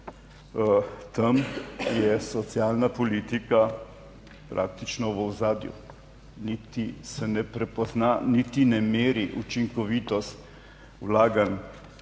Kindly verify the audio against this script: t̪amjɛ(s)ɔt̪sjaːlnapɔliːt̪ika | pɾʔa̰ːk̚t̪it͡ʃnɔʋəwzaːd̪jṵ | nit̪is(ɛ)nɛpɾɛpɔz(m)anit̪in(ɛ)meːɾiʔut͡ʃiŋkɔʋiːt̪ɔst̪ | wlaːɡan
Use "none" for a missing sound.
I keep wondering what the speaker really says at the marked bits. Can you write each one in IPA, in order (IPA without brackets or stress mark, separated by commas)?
s, ɛ, n, ɛ